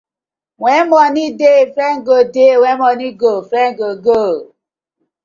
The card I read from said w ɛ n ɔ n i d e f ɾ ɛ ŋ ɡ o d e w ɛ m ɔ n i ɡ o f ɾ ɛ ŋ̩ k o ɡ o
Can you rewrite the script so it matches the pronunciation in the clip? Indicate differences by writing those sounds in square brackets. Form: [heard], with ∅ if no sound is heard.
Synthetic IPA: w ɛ [m] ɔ n i d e f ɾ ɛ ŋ ɡ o d e w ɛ m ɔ n i ɡ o f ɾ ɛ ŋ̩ [ɡ] o ɡ o